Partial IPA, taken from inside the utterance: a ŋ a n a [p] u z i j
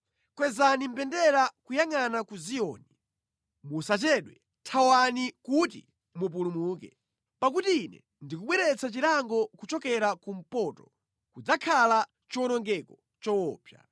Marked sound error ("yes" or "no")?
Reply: yes